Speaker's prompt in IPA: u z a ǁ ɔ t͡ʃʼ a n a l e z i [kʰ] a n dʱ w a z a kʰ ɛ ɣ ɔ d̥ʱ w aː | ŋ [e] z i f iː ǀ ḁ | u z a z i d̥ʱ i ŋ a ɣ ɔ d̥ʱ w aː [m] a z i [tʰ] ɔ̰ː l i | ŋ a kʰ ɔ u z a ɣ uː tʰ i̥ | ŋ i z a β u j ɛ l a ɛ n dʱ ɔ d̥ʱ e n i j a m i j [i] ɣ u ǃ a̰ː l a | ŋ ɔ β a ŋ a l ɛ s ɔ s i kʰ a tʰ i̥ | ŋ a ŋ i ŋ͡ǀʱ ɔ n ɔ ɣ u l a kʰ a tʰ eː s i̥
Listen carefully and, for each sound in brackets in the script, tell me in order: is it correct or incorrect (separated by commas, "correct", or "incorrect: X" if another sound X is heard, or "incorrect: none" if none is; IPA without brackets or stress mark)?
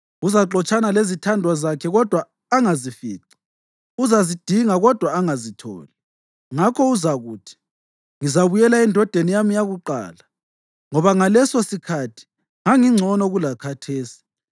incorrect: tʰ, incorrect: a, incorrect: ŋ, correct, incorrect: a